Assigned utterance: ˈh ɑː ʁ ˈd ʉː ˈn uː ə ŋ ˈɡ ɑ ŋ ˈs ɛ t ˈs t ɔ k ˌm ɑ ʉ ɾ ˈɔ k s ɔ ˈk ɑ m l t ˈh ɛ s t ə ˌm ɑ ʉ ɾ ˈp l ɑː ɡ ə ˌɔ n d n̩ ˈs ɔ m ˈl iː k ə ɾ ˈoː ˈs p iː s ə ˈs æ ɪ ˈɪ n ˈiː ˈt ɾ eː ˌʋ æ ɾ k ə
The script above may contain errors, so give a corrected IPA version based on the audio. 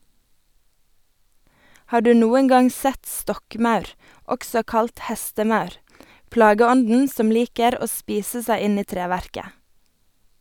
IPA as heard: ˈh ɑː ʁ ˈd ʉː ˈn uː ə ŋ ˈɡ ɑ ŋ ˈs ɛ t ˈs t ɔ k ˌm ɑ ʉ ɾ ˈɔ k s ɔ ˈk ɑ l t ˈh ɛ s t ə ˌm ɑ ʉ ɾ ˈp l ɑː ɡ ə ˌɔ n d n̩ ˈs ɔ m ˈl iː k ə ɾ ˈoː ˈs p iː s ə ˈs æ ɪ ˈɪ n ˈiː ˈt ɾ eː ˌʋ æ ɾ k ə